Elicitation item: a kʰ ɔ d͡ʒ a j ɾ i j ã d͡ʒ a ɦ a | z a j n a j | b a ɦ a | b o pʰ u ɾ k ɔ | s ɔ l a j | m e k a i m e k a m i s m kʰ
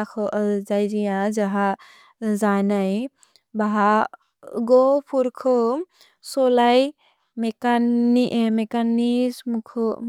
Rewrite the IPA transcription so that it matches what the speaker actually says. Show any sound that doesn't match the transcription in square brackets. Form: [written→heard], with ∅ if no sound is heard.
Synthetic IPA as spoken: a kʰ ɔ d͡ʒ a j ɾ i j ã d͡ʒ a ɦ a | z a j n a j | b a ɦ a | [b→ɡ] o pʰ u ɾ [k→kʰ] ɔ | s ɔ l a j | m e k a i m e k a [m→n] i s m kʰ